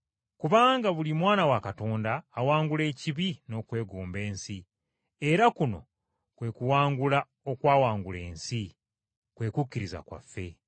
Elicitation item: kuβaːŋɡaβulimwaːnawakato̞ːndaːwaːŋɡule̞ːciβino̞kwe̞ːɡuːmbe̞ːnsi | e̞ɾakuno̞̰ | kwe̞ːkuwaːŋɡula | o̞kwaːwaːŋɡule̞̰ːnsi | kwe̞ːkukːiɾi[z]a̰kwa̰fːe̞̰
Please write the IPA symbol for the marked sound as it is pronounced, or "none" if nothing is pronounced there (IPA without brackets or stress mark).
z